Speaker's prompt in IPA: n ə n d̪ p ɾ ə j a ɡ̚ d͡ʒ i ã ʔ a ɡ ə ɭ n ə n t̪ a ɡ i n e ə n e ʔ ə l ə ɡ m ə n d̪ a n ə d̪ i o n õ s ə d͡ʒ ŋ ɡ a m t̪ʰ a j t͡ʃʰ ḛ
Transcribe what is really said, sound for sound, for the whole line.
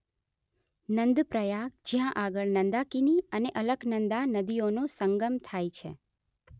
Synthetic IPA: n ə n d̪ p ɾ ə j a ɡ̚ d͡ʒ j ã ʔ a ɡ ə ɭ n ə n d̪ a k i n i ə n e ʔ ə l ə ɡ n ə n d̪ a n ə d̪ i o n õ s ə ŋ ɡ ə m t̪ʰ a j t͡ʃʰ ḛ